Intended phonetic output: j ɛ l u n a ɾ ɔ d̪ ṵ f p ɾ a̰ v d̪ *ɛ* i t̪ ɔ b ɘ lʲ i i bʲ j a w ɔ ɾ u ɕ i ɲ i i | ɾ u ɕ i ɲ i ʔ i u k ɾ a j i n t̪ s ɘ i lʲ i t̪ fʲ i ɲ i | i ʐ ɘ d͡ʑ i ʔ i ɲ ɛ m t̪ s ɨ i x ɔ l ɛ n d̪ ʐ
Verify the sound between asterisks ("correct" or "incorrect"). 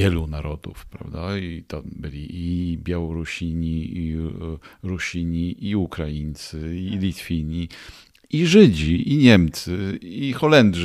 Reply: incorrect